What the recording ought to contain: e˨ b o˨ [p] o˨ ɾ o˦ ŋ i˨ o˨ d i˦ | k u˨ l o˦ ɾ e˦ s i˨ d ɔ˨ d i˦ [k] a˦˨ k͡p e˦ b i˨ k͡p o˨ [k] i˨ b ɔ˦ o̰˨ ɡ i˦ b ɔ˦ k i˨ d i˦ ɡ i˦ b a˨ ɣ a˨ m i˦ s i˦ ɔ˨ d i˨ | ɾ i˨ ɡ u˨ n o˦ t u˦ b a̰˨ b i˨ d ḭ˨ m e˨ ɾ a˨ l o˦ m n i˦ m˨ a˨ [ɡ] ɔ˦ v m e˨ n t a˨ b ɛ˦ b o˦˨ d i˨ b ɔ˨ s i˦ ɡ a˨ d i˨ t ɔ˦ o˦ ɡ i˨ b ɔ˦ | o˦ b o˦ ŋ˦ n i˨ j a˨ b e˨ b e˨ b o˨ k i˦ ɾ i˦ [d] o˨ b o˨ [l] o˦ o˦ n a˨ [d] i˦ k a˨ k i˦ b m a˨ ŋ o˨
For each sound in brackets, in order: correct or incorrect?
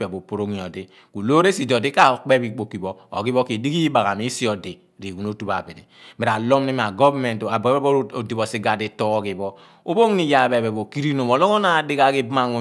correct, correct, correct, correct, incorrect: n, correct, correct

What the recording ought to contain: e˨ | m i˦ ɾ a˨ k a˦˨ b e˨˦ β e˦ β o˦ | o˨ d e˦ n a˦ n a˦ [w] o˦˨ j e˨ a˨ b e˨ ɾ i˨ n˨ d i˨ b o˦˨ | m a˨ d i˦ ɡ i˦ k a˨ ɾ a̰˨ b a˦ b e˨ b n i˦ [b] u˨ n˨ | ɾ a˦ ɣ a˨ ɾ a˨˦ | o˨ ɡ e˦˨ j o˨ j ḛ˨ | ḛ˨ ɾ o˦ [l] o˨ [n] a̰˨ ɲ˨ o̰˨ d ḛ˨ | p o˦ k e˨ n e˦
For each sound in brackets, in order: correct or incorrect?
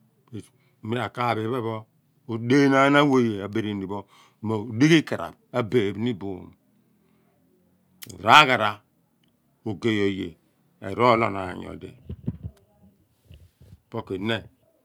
correct, correct, correct, correct

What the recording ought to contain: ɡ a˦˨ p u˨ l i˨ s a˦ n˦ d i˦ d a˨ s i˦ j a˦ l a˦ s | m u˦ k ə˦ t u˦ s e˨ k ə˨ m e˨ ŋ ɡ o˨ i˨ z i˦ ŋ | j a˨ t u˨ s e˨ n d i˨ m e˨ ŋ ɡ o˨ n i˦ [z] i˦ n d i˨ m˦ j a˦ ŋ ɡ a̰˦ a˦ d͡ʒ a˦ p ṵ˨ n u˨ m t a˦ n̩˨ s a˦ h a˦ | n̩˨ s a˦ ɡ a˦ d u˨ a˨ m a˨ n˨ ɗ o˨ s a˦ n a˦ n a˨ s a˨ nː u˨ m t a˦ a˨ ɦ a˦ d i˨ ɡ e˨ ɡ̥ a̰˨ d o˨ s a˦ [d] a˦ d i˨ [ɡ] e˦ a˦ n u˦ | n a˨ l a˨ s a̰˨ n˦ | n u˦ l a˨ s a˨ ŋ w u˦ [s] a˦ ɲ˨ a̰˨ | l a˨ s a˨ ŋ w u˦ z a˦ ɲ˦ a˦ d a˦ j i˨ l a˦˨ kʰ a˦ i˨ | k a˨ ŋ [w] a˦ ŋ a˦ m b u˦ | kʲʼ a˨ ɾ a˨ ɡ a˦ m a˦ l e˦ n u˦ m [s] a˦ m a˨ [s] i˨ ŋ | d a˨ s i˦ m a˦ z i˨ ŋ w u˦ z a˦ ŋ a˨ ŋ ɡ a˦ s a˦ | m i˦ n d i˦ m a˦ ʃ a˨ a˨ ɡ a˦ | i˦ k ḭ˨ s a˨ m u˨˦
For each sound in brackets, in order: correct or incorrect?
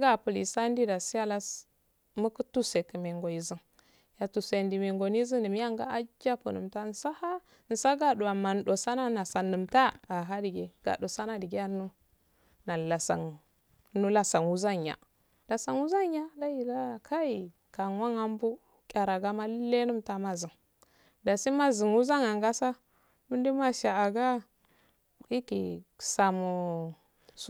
correct, incorrect: n, correct, incorrect: z, correct, incorrect: t, incorrect: z

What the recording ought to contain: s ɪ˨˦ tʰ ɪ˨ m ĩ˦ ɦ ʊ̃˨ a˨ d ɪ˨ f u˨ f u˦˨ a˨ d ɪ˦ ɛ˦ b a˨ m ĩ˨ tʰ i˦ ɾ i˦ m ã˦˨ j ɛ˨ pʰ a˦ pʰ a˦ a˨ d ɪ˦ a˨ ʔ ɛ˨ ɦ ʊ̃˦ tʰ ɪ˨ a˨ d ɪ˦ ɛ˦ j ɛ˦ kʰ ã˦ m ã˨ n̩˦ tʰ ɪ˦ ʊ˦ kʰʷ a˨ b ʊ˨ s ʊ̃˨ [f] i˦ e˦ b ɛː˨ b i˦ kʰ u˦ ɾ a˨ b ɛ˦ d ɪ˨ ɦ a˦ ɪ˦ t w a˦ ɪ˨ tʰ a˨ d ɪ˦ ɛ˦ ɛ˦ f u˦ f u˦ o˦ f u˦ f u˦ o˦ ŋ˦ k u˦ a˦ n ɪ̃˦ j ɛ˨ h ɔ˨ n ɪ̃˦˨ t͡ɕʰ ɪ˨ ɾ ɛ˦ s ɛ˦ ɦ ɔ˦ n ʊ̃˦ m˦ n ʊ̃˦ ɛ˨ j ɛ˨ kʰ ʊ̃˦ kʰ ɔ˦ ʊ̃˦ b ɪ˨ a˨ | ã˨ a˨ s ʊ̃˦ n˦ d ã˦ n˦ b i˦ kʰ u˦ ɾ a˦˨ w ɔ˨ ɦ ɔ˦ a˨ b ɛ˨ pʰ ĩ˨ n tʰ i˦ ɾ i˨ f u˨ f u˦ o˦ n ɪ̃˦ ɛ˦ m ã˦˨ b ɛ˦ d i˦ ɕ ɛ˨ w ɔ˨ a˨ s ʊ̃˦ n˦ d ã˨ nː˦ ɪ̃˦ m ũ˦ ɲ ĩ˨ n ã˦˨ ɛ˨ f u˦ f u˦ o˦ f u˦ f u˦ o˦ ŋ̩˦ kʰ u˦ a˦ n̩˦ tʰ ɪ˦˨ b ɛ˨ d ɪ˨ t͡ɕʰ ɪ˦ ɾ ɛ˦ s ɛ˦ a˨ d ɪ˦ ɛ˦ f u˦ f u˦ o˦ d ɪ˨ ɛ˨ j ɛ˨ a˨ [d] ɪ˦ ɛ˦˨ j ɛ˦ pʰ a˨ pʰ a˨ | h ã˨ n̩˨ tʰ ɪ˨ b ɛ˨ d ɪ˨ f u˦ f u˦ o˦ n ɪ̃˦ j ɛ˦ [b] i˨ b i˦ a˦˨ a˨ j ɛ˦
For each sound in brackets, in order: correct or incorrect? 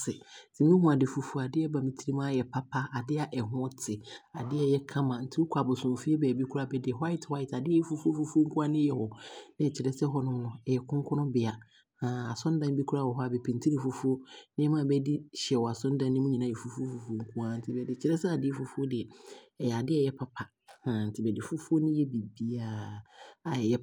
correct, correct, correct

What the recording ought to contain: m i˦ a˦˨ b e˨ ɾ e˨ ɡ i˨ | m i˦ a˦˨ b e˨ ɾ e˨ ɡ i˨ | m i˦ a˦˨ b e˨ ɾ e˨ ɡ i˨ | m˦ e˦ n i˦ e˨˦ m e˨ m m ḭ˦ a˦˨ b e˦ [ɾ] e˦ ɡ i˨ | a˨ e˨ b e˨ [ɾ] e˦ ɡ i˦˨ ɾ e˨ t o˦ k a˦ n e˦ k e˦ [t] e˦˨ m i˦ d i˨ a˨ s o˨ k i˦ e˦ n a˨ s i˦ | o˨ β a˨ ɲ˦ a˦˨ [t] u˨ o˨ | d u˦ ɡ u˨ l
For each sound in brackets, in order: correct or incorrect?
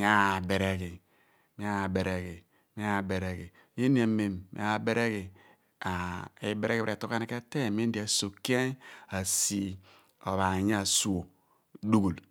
correct, correct, correct, incorrect: s

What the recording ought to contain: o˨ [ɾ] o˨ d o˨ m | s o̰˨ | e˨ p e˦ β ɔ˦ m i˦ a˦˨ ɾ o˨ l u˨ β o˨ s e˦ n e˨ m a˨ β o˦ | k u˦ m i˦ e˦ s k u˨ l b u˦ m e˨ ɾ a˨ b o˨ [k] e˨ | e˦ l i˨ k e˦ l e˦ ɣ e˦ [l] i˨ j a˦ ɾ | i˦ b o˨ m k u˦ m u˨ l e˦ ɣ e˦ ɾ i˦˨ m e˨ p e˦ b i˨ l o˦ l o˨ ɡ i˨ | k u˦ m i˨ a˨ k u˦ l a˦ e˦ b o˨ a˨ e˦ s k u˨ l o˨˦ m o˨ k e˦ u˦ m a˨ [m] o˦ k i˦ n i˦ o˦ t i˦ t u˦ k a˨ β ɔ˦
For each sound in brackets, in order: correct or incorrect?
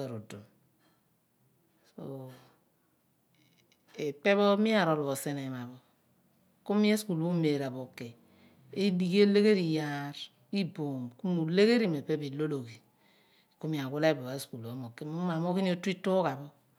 correct, correct, incorrect: ɾ, correct

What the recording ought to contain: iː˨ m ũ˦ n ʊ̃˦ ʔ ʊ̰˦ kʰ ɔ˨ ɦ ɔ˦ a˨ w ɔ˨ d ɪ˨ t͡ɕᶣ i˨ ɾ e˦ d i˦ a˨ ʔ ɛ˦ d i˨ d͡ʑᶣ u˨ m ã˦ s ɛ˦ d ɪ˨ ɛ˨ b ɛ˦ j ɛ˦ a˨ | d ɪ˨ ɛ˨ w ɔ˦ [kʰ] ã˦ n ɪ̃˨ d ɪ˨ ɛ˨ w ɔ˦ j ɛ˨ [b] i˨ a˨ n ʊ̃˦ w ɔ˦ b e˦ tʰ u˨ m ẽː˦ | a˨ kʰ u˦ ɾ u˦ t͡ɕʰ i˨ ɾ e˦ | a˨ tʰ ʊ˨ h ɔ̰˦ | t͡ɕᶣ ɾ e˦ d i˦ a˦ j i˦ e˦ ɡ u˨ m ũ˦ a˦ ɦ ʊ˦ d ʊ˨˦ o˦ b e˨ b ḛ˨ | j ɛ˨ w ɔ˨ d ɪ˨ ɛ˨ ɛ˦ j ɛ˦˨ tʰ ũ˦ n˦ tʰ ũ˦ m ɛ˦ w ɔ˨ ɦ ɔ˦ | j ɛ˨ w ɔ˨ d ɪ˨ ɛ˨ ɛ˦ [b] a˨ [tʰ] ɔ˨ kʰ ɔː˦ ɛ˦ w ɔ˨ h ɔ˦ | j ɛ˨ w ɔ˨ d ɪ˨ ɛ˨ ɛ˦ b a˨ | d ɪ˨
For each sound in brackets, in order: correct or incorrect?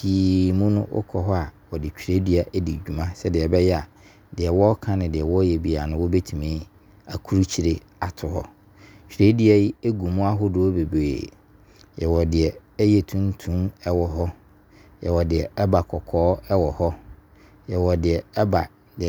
correct, correct, correct, incorrect: kʰ

